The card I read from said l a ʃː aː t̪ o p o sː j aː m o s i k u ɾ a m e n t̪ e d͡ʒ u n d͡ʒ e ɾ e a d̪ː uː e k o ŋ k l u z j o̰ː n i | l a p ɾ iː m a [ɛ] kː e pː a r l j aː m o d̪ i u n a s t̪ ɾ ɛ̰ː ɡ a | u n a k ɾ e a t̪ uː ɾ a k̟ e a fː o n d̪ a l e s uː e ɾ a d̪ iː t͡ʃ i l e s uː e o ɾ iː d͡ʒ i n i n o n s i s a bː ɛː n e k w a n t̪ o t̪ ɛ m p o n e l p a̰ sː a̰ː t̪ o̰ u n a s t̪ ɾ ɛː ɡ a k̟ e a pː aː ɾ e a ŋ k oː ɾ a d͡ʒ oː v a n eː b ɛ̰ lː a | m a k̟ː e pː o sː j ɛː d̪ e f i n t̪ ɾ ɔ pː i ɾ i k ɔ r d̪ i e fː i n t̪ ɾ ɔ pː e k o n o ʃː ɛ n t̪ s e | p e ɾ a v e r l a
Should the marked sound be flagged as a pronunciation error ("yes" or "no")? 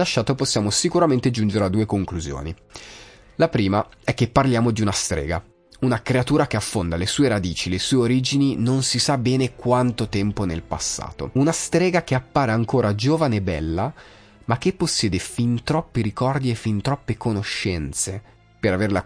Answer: no